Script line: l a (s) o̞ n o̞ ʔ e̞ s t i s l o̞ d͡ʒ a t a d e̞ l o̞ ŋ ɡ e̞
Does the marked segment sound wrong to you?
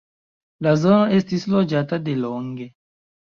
yes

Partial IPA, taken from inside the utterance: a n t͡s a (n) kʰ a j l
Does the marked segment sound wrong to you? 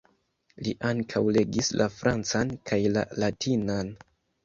no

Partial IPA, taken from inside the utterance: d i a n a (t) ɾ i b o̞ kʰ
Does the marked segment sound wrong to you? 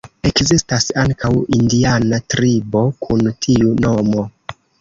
no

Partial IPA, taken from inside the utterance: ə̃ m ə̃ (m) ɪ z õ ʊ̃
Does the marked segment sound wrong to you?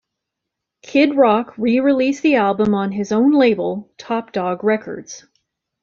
yes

